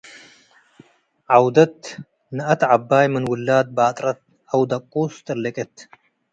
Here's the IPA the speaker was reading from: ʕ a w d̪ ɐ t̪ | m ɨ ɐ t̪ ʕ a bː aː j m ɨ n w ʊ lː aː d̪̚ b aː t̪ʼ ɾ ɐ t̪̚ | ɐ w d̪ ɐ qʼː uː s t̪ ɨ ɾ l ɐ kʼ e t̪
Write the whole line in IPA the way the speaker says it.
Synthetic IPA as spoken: ʕ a w d̪ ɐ t̪ | n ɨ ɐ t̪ ʕ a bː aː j m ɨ n w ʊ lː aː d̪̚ b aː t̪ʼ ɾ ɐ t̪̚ | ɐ w d̪ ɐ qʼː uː s t̪ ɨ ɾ l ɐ kʼ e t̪